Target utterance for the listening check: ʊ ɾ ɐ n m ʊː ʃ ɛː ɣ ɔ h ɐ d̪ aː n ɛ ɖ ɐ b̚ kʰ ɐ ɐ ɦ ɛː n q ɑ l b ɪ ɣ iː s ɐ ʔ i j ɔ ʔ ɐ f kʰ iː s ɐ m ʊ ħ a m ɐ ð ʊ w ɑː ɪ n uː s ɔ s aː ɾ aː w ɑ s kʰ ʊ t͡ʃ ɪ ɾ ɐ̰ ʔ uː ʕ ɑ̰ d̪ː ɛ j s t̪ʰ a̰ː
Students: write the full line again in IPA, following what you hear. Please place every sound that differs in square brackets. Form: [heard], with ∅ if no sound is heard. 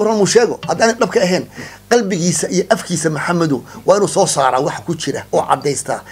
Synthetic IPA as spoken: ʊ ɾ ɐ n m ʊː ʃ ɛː ɣ ɔ h ɐ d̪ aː n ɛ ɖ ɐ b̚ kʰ ɐ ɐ ɦ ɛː n q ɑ l b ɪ ɣ iː s ɐ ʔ i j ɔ ʔ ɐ f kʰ iː s ɐ m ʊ ħ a m ɐ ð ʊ w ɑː ɪ n uː s [ɔː] s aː ɾ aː w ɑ [ħ] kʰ ʊ t͡ʃ ɪ ɾ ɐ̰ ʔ [ɔː] ʕ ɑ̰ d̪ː ɛ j s t̪ʰ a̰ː